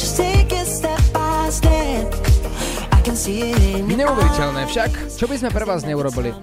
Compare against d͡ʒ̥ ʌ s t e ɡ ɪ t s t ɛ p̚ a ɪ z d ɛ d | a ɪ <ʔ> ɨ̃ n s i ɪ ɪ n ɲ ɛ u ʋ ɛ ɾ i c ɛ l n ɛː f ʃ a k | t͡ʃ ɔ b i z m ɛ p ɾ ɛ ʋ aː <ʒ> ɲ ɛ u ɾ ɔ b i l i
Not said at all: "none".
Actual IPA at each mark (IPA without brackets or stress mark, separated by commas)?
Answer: k, z